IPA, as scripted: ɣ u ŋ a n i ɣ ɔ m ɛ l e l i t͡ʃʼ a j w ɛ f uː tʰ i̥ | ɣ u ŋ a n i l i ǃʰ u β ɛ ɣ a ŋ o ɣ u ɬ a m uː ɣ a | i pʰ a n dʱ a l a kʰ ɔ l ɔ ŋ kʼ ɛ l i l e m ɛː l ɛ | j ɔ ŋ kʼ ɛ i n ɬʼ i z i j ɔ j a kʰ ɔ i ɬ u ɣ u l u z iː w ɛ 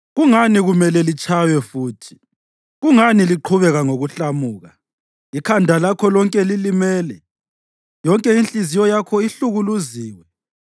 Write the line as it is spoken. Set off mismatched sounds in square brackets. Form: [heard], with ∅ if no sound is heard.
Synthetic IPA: ɣ u ŋ a n i ɣ [u] m ɛ l [ɛ] l i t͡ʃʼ a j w ɛ f uː tʰ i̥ | ɣ u ŋ a n i l i ǃʰ u β ɛ ɣ a ŋ o ɣ u ɬ a m uː ɣ a | i [kʰ] a n dʱ a l a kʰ ɔ l ɔ ŋ kʼ ɛ l i l [i] m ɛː l ɛ | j ɔ ŋ kʼ ɛ i n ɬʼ i z i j ɔ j a kʰ ɔ i ɬ u ɣ u l u z iː w ɛ